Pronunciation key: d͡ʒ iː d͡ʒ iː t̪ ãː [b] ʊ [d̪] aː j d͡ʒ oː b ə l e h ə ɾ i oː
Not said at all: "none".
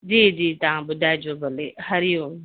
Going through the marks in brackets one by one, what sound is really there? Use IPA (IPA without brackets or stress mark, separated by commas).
b, d̪